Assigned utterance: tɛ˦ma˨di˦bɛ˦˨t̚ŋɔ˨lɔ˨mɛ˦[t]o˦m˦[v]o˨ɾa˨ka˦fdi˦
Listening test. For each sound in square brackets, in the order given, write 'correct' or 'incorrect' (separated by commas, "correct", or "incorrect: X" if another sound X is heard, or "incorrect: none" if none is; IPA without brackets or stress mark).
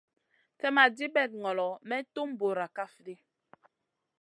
correct, incorrect: b